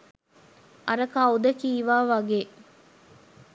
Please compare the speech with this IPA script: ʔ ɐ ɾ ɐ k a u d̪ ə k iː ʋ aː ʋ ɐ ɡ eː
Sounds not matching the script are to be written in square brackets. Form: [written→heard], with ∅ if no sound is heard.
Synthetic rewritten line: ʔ ɐ ɾ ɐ k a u d̪ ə k iː ʋ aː ʋ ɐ ɡ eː